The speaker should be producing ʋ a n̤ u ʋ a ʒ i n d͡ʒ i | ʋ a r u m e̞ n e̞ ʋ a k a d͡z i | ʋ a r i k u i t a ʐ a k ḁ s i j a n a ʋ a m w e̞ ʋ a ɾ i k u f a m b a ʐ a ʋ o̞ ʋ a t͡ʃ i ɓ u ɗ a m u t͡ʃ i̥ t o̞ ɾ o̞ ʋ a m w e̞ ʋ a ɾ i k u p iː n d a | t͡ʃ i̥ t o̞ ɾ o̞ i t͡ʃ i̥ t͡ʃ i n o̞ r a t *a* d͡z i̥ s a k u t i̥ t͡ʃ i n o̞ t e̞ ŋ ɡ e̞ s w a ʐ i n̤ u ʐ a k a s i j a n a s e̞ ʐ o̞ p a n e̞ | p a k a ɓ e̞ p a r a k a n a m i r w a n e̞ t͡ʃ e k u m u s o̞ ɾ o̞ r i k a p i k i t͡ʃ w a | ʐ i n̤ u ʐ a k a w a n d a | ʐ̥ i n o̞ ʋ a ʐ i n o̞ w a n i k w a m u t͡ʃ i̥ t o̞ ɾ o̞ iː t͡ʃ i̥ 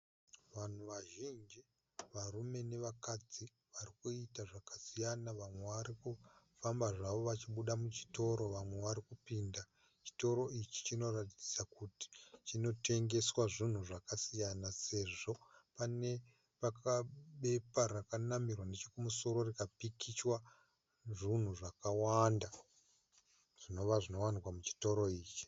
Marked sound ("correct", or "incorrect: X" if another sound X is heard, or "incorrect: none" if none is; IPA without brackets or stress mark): incorrect: i